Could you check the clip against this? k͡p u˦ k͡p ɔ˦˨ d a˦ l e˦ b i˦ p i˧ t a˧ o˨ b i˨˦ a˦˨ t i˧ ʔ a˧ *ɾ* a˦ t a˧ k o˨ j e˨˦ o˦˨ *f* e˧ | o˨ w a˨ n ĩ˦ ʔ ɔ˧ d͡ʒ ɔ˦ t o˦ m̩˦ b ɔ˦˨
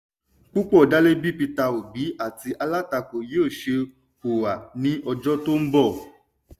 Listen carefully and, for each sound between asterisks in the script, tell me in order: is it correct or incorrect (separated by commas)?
incorrect, incorrect